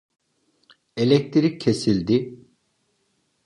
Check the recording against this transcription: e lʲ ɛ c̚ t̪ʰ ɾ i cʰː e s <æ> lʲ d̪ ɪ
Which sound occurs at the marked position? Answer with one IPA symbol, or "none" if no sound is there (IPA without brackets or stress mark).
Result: i